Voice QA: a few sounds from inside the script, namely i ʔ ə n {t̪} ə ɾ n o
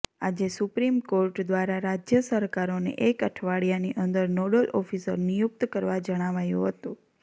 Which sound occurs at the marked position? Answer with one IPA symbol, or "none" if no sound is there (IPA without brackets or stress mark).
d̪